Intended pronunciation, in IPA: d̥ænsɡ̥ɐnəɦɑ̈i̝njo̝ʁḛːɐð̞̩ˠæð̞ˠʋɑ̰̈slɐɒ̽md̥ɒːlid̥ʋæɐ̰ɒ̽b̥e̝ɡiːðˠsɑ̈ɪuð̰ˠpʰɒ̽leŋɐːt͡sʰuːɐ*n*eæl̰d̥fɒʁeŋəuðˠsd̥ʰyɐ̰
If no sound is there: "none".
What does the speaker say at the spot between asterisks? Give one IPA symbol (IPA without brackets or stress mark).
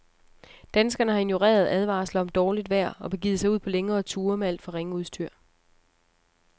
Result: m